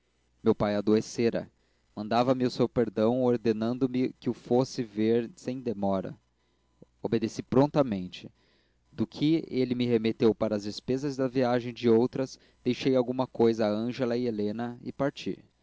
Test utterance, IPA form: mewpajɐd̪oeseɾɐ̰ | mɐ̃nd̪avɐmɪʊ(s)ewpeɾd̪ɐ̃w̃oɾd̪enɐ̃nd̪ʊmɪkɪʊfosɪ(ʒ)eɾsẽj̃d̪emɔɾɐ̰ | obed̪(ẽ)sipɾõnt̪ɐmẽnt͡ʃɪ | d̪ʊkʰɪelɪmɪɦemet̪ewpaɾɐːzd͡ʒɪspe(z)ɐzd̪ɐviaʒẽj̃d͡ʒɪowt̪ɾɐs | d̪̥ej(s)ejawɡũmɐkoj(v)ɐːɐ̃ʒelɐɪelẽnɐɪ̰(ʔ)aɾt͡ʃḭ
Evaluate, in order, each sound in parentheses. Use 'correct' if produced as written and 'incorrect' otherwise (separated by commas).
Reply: correct, incorrect, incorrect, correct, incorrect, incorrect, incorrect